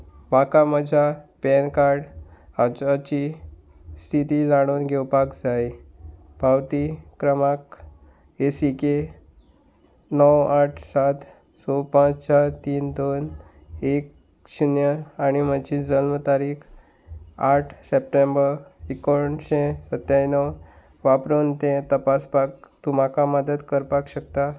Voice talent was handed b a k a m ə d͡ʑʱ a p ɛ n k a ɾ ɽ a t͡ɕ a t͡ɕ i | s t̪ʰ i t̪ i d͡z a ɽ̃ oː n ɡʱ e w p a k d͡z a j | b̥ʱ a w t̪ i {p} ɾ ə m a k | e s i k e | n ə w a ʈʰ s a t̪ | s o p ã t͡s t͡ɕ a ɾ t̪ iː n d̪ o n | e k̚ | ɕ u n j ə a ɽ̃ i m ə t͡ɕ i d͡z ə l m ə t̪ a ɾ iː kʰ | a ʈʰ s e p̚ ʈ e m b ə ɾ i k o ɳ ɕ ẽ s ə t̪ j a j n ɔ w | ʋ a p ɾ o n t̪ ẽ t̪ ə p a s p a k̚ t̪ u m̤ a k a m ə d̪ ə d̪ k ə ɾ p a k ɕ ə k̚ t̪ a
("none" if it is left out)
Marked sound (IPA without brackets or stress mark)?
k